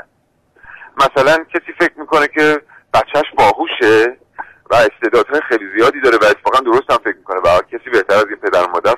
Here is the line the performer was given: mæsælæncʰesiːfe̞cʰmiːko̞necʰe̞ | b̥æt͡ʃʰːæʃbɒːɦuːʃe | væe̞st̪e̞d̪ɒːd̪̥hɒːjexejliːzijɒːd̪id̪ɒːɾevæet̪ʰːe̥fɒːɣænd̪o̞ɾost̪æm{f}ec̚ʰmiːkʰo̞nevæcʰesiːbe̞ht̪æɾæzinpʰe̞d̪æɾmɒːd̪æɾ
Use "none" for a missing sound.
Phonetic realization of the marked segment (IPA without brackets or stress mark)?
f